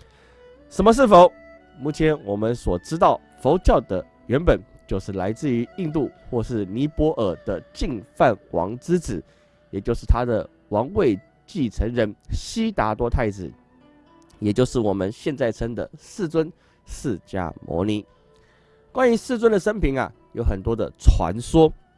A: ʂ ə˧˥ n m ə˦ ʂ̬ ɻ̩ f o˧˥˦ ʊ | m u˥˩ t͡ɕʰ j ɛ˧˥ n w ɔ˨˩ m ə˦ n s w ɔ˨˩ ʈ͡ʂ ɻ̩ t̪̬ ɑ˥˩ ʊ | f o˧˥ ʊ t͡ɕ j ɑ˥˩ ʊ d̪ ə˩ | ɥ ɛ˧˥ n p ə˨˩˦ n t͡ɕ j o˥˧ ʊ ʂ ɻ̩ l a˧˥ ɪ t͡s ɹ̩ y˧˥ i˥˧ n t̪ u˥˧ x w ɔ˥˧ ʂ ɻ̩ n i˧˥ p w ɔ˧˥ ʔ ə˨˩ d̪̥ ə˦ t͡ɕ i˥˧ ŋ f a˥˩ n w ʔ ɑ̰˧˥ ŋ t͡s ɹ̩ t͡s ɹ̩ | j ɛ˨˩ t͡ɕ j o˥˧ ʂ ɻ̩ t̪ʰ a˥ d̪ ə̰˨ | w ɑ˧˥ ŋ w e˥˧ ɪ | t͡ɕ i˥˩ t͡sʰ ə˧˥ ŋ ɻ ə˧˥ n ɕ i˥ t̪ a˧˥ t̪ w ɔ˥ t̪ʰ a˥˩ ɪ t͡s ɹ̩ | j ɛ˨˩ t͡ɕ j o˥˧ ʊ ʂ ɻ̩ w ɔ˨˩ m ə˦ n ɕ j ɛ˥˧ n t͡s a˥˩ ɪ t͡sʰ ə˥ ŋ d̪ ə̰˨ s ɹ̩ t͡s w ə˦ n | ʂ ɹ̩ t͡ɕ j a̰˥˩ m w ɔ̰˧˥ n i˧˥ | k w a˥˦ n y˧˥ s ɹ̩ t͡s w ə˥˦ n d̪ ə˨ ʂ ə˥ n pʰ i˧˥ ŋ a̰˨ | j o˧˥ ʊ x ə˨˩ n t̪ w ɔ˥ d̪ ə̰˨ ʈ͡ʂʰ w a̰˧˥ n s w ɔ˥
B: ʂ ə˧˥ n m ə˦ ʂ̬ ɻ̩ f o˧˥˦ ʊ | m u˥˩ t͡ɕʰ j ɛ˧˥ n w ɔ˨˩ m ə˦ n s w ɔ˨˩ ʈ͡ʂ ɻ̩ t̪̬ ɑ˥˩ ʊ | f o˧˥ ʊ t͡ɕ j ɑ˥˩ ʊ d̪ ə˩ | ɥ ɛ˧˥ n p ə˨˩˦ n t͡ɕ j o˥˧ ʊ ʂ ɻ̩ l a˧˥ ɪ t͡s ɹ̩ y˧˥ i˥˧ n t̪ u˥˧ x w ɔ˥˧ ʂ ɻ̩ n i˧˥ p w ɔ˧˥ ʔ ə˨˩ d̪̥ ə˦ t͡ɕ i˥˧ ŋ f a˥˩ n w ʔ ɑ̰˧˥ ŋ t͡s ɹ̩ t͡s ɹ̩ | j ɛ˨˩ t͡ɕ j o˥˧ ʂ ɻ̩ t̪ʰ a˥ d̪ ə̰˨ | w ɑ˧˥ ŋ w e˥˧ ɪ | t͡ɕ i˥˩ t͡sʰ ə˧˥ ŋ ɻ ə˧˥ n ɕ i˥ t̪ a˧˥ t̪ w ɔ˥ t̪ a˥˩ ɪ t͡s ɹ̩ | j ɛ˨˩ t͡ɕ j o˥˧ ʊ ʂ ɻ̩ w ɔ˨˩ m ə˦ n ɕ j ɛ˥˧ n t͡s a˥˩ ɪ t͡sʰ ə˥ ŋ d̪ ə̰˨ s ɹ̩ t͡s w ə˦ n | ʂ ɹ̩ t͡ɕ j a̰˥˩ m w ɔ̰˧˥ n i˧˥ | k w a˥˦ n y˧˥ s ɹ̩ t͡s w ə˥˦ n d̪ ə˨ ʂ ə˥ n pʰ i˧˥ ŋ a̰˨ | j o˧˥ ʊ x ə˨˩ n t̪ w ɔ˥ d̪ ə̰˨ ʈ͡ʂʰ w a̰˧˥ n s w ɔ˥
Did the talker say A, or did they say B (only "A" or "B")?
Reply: A